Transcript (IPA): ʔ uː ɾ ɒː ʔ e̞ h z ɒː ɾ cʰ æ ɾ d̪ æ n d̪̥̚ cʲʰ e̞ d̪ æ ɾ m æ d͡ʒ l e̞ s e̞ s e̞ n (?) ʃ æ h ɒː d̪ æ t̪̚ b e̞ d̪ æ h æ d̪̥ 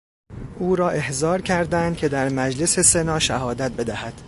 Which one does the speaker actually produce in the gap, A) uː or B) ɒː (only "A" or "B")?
B